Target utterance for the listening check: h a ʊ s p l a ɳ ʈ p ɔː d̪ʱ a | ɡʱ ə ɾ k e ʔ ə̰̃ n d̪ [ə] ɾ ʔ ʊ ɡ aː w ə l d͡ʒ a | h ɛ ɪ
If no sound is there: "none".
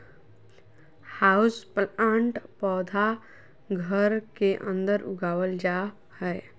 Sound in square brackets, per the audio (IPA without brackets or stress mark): ə